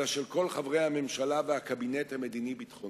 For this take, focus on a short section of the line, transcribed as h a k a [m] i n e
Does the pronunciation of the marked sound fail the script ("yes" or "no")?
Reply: yes